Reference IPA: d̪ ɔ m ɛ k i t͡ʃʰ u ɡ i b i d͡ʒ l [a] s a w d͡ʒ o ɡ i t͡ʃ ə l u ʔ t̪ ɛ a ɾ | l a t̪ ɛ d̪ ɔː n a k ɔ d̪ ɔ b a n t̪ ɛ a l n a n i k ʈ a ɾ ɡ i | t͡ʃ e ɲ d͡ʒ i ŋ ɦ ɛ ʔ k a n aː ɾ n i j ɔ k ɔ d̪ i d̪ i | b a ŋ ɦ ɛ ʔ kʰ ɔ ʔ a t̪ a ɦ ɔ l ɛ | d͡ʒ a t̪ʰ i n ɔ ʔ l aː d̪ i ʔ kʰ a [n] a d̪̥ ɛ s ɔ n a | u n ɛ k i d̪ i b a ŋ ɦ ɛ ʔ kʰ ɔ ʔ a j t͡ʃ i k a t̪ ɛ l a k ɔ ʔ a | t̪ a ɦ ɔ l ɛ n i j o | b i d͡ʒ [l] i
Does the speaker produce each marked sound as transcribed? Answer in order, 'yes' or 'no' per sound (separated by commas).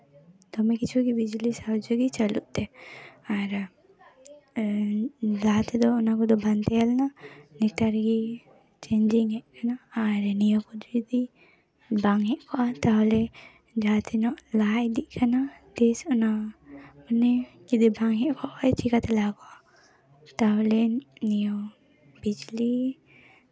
no, yes, yes